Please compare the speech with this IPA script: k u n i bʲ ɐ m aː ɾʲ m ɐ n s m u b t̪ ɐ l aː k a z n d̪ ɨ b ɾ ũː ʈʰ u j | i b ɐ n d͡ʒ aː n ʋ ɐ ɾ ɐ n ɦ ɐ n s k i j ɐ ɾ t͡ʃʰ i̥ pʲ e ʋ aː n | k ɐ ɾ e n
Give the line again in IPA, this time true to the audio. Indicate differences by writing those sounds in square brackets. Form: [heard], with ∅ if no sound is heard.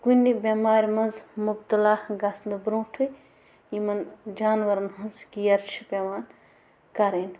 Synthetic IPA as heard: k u n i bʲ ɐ m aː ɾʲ m ɐ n [z] m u b t̪ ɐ l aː [ɡ] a [s] n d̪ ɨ b ɾ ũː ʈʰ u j | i [m] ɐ n d͡ʒ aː n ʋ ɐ ɾ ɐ n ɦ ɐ n s k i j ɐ ɾ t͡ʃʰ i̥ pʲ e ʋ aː n | k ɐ ɾ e n